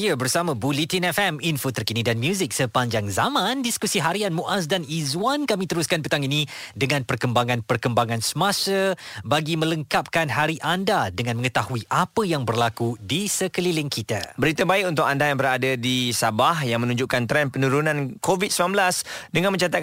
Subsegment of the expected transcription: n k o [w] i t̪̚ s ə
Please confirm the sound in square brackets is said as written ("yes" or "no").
no